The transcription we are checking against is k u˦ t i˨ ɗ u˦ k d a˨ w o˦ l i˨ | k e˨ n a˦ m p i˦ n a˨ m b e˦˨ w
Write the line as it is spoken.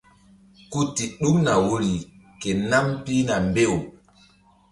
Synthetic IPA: k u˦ t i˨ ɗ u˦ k n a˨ w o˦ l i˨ | k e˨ n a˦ m p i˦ n a˨ m b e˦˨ w